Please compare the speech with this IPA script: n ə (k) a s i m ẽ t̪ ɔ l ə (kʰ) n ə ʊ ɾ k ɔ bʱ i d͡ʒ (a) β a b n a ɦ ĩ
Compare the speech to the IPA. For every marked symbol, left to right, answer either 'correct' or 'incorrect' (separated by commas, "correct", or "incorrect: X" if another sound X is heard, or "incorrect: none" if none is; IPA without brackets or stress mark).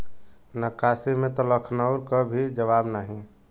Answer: correct, correct, incorrect: ə